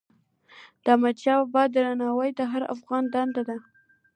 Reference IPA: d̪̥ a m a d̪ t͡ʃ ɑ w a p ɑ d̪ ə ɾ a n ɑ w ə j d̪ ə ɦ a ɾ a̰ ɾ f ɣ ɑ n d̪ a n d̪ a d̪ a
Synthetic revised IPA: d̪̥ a m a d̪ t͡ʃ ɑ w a b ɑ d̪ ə ɾ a n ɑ w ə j d̪ ə ɦ a ɾ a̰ f ɣ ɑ n d̪ a n d̪ a d̪ a